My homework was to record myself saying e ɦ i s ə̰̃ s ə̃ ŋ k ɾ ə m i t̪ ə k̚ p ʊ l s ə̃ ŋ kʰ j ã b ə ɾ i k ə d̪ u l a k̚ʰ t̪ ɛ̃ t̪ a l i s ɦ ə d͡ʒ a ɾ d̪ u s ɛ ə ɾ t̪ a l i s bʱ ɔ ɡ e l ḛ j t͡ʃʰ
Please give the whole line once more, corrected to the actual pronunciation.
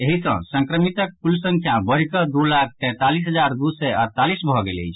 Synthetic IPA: e ɦ i s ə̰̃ s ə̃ ŋ k ɾ ə m i t̪ ə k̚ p u l s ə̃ ŋ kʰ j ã b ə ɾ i k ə d̪ u l a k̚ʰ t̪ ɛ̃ t̪ a l i s ɦ ə d͡ʒ a ɾ d̪ u s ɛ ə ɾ t̪ a l i s bʱ ɔ ɡ e l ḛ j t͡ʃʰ